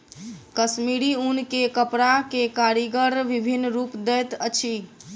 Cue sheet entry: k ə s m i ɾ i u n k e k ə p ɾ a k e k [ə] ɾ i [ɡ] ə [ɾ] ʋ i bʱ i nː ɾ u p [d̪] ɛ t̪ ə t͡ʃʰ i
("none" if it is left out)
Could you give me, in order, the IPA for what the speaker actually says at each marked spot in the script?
a, ɡ, ɾ, d̪

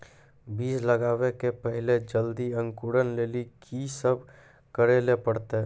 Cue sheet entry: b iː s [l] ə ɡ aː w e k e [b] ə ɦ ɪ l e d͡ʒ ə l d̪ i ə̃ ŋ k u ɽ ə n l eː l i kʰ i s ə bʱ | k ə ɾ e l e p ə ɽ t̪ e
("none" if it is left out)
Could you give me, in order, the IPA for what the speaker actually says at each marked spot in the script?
l, p

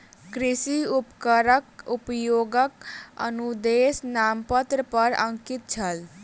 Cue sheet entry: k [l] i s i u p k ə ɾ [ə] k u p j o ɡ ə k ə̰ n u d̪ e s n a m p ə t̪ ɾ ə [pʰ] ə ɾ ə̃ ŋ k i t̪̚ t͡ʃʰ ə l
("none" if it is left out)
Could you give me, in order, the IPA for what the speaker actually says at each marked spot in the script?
ɾ, ə, p

